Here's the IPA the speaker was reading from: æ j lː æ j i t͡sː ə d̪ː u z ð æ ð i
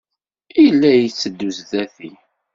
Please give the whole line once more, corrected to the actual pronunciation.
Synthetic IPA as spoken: i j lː æ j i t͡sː ə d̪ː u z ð æ θ i